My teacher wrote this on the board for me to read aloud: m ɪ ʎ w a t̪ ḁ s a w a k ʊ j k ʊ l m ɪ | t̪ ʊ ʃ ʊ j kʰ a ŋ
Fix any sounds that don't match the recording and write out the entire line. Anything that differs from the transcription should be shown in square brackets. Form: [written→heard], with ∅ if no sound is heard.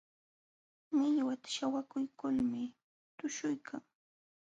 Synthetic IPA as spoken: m ɪ ʎ w a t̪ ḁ [s→ʃ] a w a k ʊ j k ʊ l m ɪ | t̪ ʊ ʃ ʊ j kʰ a ŋ